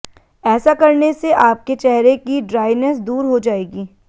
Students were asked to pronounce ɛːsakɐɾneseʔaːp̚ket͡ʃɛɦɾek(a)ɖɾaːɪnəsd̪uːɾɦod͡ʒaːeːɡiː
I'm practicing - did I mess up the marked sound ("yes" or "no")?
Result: yes